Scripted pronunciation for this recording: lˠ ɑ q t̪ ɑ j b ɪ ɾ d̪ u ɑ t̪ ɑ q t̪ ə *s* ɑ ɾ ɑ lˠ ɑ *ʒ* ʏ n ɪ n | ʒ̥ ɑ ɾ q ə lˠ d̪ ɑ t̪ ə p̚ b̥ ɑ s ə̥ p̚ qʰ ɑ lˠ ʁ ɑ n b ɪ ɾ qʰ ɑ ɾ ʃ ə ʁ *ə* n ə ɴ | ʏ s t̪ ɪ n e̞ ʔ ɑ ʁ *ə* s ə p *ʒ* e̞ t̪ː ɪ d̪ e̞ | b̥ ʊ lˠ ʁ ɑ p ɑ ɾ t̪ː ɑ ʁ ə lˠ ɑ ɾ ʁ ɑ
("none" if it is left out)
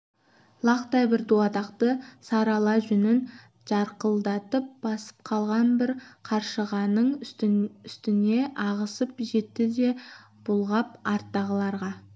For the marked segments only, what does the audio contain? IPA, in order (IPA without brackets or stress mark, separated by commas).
s, ʒ, ɑ, ə, ʒ